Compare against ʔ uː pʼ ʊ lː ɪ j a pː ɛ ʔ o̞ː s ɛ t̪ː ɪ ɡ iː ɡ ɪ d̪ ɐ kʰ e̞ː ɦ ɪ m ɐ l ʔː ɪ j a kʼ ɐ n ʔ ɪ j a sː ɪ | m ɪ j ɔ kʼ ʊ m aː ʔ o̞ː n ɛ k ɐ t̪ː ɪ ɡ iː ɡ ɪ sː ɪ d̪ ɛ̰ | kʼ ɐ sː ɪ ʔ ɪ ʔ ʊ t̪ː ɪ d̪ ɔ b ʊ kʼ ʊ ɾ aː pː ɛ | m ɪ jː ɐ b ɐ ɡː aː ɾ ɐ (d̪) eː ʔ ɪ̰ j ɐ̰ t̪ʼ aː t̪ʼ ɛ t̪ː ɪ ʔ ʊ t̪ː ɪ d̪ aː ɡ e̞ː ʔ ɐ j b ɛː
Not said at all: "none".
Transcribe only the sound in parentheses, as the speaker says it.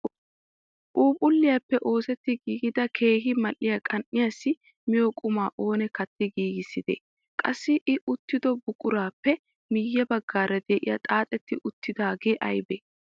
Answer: d̪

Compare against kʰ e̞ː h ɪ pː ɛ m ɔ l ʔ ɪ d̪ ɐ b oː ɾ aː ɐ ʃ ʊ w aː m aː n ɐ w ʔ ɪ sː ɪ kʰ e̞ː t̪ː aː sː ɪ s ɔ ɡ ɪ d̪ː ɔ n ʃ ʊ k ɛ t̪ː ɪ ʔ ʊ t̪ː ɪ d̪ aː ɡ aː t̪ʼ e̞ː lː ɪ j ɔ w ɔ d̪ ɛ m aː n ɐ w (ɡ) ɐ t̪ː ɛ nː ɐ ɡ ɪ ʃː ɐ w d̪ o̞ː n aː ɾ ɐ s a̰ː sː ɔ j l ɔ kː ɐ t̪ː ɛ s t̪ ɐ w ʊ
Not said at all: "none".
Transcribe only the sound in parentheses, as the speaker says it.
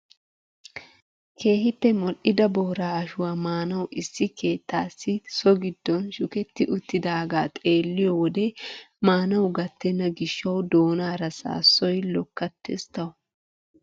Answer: ɡ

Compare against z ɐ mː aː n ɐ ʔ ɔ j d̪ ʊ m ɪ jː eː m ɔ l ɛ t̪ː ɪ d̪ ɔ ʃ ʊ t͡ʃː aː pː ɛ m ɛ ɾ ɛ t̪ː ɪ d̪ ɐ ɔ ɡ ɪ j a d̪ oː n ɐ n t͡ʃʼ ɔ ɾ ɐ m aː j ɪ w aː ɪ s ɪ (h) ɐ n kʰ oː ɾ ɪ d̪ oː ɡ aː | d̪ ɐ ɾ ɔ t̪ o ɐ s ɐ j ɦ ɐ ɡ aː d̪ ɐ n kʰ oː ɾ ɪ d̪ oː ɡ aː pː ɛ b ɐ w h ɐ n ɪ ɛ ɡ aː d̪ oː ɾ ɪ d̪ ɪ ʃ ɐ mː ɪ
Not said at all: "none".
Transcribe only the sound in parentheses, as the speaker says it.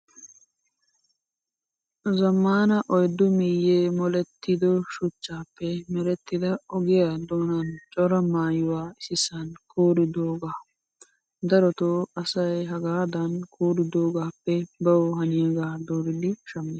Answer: s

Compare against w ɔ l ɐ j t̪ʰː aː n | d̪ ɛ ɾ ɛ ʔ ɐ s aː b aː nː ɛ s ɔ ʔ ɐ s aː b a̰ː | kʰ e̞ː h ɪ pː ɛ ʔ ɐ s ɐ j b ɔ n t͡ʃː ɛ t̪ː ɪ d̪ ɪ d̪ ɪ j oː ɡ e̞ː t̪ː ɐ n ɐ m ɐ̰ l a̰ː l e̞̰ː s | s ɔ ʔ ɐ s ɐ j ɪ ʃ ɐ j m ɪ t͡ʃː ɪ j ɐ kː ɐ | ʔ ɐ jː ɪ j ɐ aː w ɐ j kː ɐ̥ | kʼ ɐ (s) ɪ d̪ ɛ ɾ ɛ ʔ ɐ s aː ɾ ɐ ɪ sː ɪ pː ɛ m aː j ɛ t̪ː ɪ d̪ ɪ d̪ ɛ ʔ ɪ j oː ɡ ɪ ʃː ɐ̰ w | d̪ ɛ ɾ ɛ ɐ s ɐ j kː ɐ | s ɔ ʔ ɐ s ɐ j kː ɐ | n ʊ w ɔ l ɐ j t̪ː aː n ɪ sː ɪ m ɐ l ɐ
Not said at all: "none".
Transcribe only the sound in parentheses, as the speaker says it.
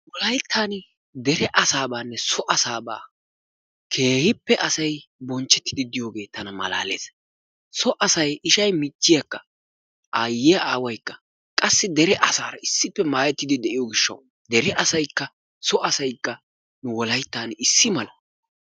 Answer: sː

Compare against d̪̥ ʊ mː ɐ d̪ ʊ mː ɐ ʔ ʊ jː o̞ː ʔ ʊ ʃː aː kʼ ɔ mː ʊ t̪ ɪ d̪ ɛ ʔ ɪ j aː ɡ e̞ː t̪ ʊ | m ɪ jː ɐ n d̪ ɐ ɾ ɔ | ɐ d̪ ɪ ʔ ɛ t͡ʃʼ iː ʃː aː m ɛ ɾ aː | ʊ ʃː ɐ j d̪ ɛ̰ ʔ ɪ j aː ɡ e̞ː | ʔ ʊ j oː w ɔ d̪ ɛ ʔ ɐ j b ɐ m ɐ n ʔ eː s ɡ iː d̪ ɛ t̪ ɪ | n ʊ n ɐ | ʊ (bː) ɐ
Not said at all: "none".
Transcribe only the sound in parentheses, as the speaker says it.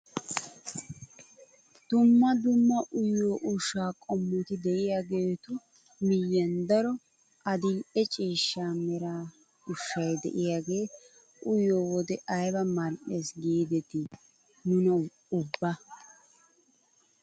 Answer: bː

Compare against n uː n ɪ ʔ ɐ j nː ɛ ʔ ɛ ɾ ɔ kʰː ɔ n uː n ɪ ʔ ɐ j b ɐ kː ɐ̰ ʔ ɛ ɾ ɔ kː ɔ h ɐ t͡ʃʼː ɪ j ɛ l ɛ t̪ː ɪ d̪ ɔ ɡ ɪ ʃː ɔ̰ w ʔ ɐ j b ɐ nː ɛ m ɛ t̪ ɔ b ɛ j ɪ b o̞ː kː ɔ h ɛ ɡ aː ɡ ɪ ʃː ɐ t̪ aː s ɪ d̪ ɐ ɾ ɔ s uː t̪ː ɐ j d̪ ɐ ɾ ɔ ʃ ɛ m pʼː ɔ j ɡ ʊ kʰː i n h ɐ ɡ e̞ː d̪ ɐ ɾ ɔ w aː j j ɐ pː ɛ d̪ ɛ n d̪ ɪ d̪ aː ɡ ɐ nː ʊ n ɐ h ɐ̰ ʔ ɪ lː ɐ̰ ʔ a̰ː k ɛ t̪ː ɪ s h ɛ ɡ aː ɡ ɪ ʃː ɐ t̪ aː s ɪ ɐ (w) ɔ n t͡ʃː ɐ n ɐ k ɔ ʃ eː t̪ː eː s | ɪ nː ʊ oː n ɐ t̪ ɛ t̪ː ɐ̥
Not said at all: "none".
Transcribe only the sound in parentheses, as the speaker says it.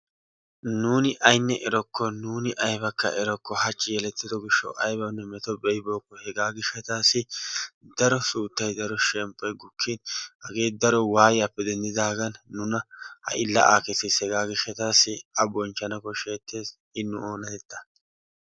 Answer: b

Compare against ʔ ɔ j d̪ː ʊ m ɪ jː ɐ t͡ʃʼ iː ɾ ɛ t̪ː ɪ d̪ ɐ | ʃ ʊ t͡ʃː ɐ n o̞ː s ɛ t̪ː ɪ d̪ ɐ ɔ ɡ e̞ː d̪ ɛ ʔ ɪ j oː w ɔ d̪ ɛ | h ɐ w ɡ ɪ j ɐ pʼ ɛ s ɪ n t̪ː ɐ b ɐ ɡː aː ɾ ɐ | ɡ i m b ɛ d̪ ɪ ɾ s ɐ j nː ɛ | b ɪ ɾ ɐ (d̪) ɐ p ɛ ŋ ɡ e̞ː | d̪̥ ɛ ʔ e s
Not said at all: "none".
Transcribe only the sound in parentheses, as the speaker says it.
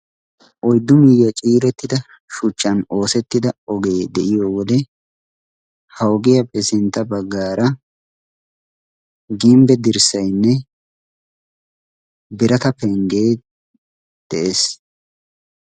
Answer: t̪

